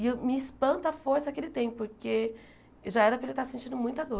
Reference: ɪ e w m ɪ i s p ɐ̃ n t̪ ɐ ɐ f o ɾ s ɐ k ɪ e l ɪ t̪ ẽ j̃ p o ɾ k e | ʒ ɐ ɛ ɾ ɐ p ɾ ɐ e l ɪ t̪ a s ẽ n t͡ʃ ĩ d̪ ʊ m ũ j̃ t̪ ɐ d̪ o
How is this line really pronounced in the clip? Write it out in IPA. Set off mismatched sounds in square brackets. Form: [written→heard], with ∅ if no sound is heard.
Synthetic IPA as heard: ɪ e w m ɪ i s p ɐ̃ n t̪ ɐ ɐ f o ɾ s ɐ k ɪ e l ɪ t̪ ẽ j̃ p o ɾ k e | ʒ [ɐ→a] ɛ ɾ ɐ p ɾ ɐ e l ɪ t̪ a s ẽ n t͡ʃ ĩ d̪ ʊ m ũ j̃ t̪ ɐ d̪ o